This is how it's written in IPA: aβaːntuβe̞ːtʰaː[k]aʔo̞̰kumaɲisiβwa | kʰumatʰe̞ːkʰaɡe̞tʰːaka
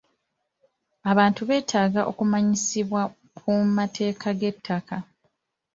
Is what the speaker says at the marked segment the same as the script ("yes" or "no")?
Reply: no